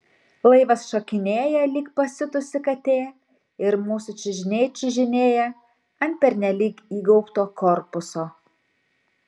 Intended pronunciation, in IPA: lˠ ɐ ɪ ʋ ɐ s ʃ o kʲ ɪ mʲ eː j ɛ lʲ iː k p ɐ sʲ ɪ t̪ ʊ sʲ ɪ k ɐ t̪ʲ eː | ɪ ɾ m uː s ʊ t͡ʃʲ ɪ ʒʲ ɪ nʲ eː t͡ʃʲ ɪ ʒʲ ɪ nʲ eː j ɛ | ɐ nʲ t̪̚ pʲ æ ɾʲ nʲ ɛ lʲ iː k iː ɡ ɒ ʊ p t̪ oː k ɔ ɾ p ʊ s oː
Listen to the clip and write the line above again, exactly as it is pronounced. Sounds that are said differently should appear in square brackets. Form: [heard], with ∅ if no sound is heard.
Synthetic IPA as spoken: lˠ ɐ ɪ ʋ ɐ s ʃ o kʲ ɪ [nʲ] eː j ɛ lʲ iː k p ɐ sʲ ɪ t̪ ʊ sʲ ɪ k ɐ t̪ʲ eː | ɪ ɾ m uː s ʊ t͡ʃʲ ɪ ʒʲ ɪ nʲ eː t͡ʃʲ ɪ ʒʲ ɪ nʲ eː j ɛ | ɐ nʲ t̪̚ pʲ [ɛ] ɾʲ nʲ ɛ lʲ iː k iː ɡ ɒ ʊ p t̪ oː k ɔ ɾ p ʊ s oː